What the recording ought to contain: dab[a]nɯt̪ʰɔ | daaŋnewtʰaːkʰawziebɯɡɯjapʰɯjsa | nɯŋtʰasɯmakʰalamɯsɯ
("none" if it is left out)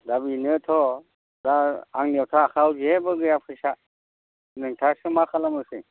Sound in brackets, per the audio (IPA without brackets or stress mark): i